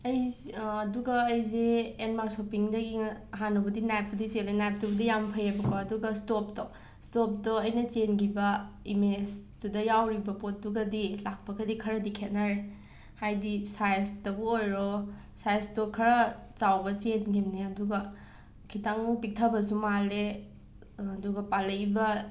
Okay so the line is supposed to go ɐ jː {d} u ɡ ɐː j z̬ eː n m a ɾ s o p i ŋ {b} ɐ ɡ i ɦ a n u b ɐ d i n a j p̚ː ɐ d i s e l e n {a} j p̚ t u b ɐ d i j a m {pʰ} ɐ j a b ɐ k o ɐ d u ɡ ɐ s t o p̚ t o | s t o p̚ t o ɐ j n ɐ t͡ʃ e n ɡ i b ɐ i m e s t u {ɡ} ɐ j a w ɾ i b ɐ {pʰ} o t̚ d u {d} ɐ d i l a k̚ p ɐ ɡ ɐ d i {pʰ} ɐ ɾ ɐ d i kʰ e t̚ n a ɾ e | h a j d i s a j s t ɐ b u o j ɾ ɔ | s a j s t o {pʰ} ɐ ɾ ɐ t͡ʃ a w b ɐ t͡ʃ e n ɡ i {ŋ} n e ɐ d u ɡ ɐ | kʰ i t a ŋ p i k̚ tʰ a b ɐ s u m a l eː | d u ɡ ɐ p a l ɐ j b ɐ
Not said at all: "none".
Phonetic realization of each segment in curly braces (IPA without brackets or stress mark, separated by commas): d, d, a, pʰ, d, p, ɡ, kʰ, kʰ, m